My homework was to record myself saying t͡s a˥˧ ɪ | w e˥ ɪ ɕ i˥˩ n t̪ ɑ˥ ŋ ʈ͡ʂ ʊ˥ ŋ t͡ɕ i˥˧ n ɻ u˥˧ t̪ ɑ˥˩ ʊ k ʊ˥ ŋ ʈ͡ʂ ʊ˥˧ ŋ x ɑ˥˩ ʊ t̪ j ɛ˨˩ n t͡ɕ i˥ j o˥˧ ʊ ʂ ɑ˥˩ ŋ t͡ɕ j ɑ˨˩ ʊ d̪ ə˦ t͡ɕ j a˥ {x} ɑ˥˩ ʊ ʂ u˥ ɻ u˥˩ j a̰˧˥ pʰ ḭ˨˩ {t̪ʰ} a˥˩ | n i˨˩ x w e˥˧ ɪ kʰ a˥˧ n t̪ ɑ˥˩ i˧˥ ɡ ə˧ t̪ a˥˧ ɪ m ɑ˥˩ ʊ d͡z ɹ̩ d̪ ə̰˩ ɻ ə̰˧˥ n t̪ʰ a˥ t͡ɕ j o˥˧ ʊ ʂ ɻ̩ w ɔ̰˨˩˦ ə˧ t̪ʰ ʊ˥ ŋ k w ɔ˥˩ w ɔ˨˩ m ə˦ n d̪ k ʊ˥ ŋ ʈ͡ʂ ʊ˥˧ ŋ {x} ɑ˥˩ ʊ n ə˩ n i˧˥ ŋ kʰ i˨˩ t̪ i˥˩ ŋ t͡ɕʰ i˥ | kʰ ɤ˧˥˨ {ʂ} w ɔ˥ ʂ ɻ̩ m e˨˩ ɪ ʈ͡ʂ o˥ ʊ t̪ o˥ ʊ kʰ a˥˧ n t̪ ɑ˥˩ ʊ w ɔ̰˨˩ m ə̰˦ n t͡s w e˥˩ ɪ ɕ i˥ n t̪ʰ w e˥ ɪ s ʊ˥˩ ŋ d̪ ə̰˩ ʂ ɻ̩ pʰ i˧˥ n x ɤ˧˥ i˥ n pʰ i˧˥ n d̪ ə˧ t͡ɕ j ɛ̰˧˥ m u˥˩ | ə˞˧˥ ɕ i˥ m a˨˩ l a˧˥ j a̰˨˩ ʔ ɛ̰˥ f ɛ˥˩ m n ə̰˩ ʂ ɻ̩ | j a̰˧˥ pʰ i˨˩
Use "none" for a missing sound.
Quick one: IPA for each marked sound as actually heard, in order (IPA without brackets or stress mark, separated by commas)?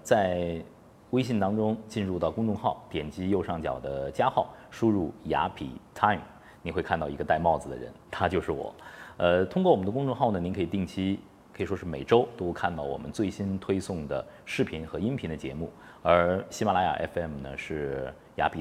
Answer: x, t̪ʰ, x, ʂ